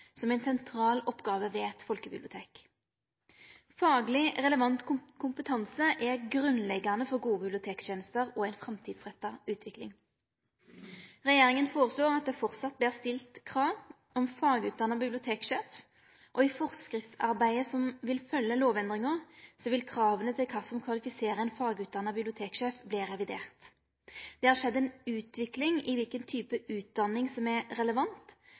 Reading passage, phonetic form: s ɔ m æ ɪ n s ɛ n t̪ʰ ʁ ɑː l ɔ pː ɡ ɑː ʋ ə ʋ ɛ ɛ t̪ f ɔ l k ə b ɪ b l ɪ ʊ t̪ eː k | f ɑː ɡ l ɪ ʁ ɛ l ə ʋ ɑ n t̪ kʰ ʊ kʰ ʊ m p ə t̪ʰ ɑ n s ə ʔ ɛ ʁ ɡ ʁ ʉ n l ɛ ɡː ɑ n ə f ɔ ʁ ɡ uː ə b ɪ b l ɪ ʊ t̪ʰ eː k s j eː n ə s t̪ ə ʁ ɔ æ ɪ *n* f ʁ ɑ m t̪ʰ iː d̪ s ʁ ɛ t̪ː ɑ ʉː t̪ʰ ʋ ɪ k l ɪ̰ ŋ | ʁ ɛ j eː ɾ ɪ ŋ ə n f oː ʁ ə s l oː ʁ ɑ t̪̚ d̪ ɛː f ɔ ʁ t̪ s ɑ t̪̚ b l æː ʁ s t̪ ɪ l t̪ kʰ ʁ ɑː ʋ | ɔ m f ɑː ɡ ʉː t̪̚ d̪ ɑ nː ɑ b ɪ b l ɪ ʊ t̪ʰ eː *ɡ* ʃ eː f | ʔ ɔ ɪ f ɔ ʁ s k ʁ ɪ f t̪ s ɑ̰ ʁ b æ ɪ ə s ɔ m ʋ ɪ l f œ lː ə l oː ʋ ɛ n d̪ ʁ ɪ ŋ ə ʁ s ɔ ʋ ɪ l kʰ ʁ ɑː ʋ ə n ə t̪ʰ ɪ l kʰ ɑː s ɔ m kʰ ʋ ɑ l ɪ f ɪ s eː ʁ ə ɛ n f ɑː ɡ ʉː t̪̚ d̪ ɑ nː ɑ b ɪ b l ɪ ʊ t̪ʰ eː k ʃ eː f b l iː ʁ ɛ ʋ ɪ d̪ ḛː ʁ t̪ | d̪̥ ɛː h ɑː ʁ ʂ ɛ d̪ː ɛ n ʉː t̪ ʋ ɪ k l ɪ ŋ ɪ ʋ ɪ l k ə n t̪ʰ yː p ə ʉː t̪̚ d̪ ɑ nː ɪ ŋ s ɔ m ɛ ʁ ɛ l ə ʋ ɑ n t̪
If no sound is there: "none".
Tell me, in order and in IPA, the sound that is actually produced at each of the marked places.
n, k

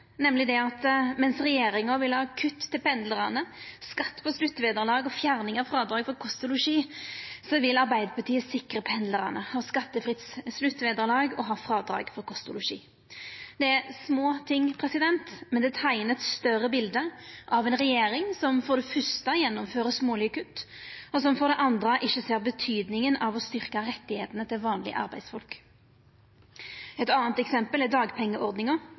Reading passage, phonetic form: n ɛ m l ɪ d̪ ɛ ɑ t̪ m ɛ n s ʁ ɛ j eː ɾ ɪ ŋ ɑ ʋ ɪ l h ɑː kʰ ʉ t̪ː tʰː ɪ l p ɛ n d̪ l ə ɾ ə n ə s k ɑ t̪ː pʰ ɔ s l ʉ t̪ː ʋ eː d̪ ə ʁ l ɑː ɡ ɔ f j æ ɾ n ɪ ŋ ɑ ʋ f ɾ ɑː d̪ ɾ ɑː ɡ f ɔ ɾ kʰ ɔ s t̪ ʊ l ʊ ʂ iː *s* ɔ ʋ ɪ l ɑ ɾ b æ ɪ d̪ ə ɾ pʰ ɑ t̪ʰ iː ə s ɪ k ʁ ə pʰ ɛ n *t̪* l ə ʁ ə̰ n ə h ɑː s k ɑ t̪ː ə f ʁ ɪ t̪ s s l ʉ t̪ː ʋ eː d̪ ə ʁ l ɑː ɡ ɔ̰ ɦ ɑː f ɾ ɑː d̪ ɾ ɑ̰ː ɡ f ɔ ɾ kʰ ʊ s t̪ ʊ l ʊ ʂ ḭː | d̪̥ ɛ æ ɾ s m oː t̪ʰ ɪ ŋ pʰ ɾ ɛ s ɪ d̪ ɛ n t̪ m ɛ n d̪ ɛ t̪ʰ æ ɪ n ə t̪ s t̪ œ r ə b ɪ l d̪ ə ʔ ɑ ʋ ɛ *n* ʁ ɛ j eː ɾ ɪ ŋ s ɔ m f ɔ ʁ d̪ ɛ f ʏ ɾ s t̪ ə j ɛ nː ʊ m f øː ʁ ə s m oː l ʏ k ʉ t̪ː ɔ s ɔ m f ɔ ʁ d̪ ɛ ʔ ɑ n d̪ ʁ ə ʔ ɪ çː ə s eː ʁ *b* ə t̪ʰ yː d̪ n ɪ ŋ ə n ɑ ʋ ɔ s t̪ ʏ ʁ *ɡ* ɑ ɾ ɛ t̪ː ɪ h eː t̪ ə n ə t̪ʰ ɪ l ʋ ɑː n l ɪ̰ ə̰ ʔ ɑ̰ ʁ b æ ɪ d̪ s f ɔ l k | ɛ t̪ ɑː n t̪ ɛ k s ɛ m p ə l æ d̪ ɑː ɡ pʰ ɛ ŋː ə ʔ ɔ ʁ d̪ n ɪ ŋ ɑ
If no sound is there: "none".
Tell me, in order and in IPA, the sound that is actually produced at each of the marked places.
s, d̪, n, b, k

